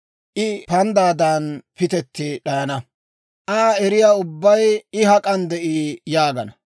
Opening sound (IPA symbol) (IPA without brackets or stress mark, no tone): ʔ